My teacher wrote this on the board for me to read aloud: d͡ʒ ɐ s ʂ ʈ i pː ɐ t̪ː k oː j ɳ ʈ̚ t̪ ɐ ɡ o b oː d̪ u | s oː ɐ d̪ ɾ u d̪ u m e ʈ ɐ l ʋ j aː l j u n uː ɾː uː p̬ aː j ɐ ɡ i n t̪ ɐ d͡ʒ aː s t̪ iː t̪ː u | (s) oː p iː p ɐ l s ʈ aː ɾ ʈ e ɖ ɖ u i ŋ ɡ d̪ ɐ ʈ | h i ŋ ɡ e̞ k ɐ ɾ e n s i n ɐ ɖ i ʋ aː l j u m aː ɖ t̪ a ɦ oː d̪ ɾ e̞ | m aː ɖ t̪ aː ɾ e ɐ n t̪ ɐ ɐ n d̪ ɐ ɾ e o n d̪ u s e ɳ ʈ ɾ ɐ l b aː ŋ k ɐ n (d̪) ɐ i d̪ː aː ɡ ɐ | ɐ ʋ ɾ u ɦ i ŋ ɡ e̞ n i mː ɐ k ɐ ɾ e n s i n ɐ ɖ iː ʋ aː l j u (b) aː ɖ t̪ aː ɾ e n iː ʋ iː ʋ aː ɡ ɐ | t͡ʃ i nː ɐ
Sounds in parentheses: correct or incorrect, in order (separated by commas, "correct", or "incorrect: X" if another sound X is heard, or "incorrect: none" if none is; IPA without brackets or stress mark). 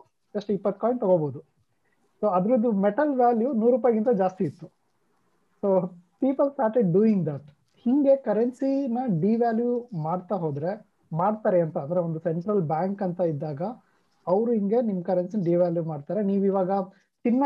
correct, incorrect: t̪, incorrect: m